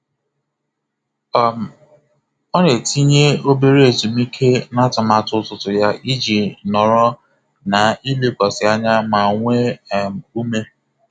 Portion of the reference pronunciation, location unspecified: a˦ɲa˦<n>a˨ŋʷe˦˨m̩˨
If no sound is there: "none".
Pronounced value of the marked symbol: m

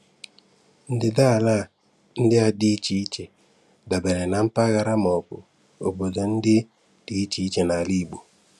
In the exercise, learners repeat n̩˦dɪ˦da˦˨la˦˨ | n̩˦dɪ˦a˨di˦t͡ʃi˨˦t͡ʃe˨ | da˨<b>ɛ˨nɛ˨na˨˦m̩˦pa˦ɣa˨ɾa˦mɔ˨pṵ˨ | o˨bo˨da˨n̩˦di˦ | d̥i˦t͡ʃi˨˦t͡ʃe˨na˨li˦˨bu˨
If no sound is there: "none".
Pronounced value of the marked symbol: b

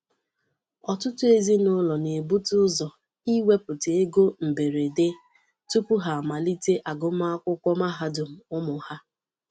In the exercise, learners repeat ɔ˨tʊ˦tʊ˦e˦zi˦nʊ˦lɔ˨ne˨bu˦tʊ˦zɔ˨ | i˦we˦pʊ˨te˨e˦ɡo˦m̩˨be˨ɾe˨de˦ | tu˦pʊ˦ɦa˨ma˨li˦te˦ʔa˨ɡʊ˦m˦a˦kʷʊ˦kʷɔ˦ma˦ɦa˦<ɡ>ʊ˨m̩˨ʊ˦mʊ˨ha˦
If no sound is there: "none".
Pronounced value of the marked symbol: d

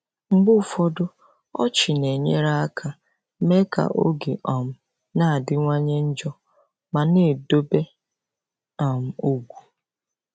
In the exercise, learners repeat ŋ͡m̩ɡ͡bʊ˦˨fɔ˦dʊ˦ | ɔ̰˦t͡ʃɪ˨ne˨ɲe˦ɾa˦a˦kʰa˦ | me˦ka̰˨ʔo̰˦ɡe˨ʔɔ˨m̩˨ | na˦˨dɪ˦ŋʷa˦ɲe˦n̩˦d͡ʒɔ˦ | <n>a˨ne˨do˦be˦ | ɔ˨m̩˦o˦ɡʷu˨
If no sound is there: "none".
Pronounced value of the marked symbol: m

